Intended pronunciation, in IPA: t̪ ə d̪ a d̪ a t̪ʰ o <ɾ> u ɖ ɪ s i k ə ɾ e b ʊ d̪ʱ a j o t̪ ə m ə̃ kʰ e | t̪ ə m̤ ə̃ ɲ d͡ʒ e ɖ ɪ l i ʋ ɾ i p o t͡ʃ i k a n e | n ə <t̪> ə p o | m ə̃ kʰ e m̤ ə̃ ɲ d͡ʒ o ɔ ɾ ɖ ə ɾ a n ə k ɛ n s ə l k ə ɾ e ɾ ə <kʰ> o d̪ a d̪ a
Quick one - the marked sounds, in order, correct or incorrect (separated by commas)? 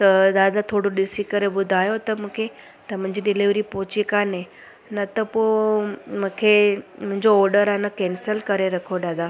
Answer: incorrect, correct, correct